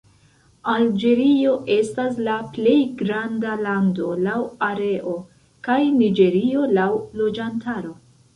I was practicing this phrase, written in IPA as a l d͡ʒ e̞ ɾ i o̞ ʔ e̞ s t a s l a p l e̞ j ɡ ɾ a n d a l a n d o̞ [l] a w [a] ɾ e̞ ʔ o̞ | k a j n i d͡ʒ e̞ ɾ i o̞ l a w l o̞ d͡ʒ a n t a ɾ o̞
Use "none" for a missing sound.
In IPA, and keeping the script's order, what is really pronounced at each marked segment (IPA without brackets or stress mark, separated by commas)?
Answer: l, a